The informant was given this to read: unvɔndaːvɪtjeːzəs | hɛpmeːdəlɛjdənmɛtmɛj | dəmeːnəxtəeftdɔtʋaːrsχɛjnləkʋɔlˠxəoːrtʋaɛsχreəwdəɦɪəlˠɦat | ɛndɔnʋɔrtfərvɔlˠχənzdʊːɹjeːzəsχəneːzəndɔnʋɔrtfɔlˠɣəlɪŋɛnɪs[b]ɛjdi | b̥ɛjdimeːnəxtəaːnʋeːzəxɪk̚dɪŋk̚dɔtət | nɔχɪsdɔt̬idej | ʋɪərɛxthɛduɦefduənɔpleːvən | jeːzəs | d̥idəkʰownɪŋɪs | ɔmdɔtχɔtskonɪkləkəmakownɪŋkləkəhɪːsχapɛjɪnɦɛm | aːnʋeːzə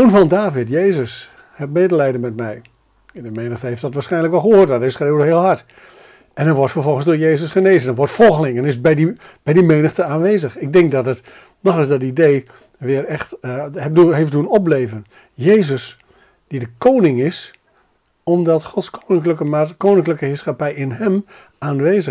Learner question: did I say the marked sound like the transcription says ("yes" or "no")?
yes